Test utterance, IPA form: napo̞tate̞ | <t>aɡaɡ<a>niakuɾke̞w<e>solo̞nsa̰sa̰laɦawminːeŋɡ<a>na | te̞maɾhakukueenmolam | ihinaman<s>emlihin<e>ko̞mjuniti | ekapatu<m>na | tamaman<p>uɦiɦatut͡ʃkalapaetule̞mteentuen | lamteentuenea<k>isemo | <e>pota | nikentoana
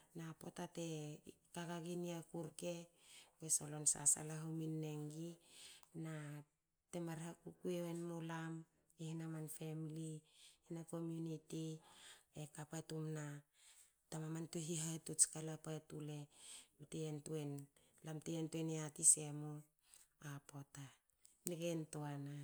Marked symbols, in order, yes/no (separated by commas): no, no, yes, no, no, no, yes, no, no, no